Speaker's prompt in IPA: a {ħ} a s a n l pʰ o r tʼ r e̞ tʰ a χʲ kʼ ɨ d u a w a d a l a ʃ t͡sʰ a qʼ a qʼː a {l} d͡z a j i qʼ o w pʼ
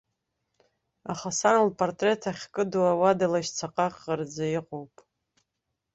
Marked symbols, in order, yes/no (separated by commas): no, no